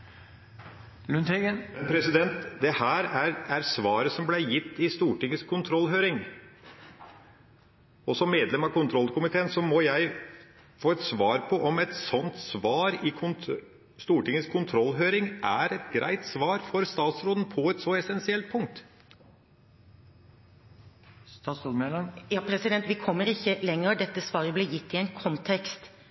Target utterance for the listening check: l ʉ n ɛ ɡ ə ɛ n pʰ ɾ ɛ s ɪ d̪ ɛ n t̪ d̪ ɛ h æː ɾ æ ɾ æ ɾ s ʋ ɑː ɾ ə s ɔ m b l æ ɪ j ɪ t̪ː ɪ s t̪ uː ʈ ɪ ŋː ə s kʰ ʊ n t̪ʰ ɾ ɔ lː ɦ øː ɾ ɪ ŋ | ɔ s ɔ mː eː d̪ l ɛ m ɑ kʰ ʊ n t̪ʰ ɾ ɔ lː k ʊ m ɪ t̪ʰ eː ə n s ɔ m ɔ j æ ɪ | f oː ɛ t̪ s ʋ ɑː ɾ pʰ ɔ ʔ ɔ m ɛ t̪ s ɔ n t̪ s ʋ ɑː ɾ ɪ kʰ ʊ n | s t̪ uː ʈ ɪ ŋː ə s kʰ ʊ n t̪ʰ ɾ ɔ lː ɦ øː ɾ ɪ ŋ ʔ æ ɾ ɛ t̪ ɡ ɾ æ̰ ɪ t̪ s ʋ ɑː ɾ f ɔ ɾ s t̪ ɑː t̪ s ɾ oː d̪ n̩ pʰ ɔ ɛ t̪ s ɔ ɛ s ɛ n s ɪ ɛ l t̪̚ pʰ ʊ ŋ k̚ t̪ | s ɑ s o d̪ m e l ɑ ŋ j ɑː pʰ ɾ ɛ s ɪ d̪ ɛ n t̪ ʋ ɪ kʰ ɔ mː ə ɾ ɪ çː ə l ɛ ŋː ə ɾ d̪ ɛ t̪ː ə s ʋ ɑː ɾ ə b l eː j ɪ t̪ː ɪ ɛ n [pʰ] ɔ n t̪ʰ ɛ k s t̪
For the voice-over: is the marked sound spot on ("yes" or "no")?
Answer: no